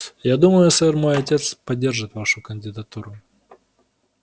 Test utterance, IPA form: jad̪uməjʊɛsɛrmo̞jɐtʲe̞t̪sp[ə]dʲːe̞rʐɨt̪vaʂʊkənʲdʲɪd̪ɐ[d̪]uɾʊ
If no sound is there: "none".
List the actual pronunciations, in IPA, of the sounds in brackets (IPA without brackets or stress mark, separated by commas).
ɐ, t̪